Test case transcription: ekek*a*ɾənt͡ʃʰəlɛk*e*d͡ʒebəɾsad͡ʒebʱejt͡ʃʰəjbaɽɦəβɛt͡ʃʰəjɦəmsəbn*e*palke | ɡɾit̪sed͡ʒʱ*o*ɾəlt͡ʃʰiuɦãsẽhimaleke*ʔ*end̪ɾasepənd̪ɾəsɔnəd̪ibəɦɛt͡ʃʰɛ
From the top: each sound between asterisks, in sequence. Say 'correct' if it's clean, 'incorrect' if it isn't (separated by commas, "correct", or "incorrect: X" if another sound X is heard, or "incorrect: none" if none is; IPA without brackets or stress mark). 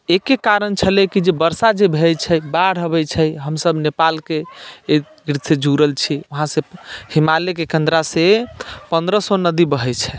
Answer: correct, incorrect: i, correct, incorrect: u, incorrect: k